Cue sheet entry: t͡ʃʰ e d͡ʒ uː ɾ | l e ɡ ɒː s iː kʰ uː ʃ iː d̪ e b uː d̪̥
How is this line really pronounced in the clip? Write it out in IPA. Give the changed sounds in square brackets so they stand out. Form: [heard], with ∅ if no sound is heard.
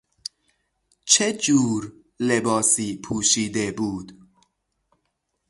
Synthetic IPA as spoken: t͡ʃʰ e d͡ʒ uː ɾ | l e [b] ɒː s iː [pʰ] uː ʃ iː d̪ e b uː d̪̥